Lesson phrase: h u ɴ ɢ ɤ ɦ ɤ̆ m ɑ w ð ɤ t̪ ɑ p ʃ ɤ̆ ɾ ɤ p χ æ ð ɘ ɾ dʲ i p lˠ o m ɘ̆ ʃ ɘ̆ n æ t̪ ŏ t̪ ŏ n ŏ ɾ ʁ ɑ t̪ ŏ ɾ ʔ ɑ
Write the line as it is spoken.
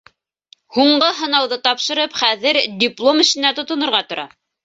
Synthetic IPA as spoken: h u ɴ ɢ ɤ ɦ ɤ̆ n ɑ w ð ɤ t̪ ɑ p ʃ ɤ̆ ɾ ɤ p χ æ ð ɘ ɾ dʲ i p lˠ o m ɘ̆ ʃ ɘ̆ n æ t̪ ŏ t̪ ŏ n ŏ ɾ ʁ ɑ t̪ ŏ ɾ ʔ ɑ